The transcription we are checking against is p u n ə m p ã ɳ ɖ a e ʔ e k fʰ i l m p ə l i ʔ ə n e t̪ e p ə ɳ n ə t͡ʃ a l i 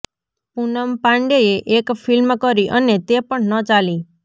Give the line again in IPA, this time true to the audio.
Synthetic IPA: p u n ə m p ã ɳ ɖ e e ʔ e k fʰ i l m k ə ɾ i ʔ ə n e t̪ e p ə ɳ n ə t͡ʃ a l i